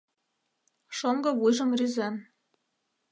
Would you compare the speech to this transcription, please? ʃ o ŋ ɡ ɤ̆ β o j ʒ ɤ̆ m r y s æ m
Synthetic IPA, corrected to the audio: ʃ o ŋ ɡ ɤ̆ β u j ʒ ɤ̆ m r y z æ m

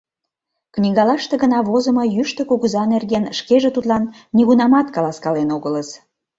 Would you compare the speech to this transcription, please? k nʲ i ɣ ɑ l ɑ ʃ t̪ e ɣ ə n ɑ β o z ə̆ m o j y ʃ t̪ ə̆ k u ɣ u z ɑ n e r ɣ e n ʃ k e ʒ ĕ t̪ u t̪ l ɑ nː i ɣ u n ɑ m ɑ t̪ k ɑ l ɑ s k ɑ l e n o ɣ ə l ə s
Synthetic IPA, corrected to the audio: k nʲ i ɣ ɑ l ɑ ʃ t̪ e ɣ ə n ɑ β o z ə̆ m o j y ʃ t̪ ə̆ k u ɣ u z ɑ n e r ɣ e n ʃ k e ʒ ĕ t̪ u t̪ l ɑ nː i ɣ u n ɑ m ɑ t̪ k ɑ l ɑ s k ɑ l e n o ɣ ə l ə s

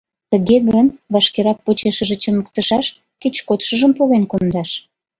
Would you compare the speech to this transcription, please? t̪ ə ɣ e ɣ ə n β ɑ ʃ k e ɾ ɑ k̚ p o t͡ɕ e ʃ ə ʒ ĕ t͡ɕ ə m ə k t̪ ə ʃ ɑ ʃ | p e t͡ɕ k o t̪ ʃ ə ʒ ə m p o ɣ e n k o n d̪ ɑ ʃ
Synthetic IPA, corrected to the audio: t̪ ə ɣ e ɣ ə n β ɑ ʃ k e ɾ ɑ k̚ p o t͡ɕ e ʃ ə ʒ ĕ t͡ɕ ə m ə k t̪ ə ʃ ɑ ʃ | k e t͡ɕ k o t̪ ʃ ə ʒ ə m p o ɣ e n k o n d̪ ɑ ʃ

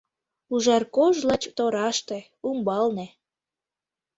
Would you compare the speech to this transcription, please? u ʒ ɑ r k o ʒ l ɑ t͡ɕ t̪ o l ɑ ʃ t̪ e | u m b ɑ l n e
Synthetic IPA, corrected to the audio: u ʒ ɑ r k o ʒ l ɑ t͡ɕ t̪ o ɾ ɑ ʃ t̪ e | u m b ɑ l n e

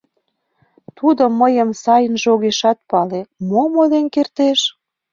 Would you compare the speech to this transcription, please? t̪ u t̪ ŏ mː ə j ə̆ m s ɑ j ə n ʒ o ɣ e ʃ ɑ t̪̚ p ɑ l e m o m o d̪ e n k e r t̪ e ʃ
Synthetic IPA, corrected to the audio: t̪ u d̪ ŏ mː ə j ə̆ m s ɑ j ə n ʒ o ɣ e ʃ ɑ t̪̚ p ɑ l e m o m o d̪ e n k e r t̪ e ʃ

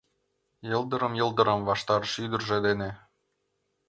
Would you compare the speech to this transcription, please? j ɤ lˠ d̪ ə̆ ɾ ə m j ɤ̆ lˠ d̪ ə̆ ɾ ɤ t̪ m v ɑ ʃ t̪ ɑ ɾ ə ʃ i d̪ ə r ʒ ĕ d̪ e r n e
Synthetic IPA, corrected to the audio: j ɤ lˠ d̪ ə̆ ɾ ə m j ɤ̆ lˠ d̪ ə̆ ɾ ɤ m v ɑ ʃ t̪ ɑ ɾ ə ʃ y d̪ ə r ʒ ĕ d̪ e n e

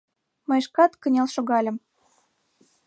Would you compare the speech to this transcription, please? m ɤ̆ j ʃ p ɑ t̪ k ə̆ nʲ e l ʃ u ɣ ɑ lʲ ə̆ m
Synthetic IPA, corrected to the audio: m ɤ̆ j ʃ k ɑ t̪ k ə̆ nʲ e l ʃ o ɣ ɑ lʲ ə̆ m

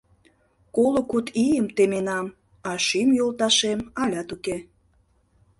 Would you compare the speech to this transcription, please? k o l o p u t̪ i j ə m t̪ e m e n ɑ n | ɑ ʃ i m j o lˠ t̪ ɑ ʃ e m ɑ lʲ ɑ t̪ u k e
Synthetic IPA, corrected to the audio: k o l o k u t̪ i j ə m t̪ e m e n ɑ m | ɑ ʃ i m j o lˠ t̪ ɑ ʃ e m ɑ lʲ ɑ t̪ u k e

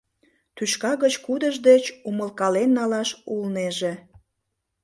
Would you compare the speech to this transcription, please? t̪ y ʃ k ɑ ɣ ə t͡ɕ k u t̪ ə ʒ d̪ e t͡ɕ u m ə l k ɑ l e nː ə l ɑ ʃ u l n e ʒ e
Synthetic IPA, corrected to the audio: t̪ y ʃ k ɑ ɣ ə t͡ɕ k u d̪ ə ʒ d̪ e t͡ɕ u m ə l k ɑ l e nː ɑ l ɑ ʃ u l n e ʒ e

